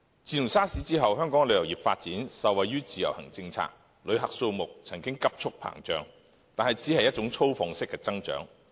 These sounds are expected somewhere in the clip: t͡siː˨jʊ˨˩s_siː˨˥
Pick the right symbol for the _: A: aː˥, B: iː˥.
A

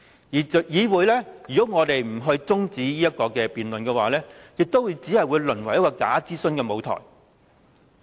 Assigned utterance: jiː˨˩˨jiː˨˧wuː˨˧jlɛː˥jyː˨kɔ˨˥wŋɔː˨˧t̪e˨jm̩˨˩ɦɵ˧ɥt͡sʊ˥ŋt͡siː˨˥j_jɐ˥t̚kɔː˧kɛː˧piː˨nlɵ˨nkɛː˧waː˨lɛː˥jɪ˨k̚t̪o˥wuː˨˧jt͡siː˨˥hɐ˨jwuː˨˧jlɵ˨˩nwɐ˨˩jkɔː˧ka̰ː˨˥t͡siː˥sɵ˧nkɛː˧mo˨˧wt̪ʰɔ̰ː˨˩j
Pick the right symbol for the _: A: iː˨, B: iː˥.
B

